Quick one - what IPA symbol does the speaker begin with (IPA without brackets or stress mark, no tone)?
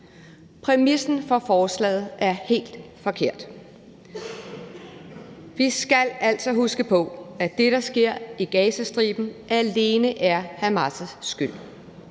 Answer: pʰ